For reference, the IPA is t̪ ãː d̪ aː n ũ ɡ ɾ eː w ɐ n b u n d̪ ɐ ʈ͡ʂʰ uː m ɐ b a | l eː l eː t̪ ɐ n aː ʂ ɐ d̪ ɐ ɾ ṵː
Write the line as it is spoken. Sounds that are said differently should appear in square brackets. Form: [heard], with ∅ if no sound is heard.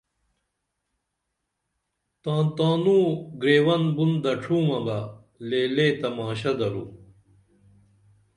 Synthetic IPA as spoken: t̪ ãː [t̪] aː n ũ ɡ ɾ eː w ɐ n b u n d̪ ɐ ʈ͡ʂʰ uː m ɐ b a | l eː l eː t̪ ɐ [m] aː [ɕ] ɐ d̪ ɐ ɾ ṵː